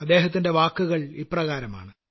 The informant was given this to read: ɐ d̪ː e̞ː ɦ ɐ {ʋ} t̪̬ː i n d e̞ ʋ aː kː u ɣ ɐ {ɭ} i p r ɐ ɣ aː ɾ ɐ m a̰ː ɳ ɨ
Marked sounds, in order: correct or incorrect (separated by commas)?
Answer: incorrect, correct